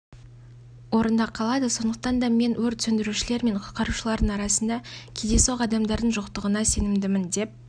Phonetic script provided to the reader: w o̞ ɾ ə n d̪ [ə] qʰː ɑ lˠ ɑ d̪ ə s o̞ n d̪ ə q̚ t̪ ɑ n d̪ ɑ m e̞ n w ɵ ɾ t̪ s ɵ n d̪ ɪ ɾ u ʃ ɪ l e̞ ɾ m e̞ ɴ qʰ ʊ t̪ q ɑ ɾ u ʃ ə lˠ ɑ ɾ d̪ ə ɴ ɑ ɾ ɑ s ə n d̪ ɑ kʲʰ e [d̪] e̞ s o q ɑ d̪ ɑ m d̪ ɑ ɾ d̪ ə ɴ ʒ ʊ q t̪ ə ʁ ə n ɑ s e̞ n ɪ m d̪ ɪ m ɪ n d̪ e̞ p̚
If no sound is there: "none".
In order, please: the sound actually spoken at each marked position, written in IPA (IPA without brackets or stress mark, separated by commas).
ɑ, d̪